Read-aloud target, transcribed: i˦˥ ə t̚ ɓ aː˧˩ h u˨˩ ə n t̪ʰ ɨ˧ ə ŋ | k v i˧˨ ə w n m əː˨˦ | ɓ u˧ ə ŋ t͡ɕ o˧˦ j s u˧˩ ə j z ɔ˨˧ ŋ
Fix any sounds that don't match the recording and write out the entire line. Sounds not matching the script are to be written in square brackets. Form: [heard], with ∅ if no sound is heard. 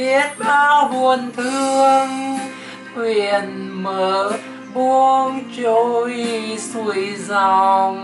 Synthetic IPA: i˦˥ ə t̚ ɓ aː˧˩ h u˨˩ ə n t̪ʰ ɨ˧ ə ŋ | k [w] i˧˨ ə [∅] n m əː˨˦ | ɓ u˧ ə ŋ t͡ɕ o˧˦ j s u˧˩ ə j z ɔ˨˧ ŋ